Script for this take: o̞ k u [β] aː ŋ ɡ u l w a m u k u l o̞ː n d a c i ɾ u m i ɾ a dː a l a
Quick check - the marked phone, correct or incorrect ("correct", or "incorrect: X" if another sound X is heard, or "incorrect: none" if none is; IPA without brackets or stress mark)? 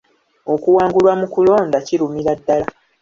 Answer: incorrect: w